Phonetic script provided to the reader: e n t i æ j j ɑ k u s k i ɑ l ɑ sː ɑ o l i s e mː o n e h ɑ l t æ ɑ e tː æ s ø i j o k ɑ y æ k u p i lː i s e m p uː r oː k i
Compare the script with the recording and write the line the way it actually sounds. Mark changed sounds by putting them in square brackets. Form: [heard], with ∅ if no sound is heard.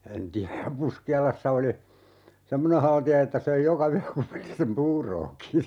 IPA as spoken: e n t i æ j j ɑ [p] u s k i ɑ l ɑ sː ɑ o l i s e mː o n e h ɑ l t [i] ɑ e tː æ s ø i j o k ɑ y æ k u p i lː i s e m p uː r oː k i